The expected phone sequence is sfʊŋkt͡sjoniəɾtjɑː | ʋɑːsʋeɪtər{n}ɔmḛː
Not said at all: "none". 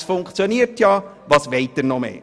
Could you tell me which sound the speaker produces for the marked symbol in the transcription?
n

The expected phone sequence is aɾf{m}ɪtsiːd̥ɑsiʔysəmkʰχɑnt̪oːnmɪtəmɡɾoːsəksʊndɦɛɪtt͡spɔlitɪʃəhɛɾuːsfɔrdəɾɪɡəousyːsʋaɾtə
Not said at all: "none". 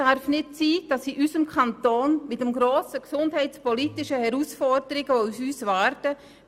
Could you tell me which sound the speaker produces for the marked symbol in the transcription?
n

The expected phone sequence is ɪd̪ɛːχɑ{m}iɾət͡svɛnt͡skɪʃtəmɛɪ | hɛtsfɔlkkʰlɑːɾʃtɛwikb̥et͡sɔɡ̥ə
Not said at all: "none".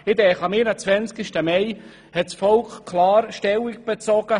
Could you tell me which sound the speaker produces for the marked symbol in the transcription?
m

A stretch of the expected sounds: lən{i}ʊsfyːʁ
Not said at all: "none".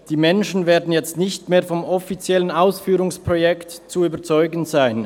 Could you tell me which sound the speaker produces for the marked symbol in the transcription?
a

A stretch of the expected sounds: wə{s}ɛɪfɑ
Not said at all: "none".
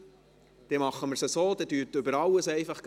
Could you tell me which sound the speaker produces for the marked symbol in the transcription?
s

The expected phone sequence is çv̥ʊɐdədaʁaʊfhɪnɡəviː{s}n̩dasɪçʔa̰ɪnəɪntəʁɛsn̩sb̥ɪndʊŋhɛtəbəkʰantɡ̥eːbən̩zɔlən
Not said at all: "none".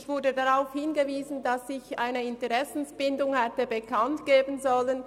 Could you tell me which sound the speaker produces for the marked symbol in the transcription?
z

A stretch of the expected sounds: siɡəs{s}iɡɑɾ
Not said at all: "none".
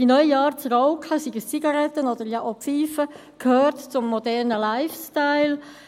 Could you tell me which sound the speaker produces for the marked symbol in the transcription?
t͡s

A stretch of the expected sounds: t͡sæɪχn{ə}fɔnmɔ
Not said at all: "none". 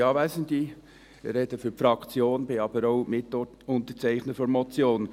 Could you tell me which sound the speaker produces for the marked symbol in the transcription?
ə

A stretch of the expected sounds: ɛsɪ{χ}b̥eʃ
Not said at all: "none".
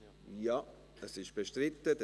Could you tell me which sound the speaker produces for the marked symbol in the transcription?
ʃ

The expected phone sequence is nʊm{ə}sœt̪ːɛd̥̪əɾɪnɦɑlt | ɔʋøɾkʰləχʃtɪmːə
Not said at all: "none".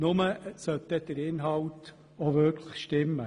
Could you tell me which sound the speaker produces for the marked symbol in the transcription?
ə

